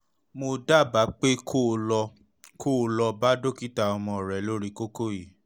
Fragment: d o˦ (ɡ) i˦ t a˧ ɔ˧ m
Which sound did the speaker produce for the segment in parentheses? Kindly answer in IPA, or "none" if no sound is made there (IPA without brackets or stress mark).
k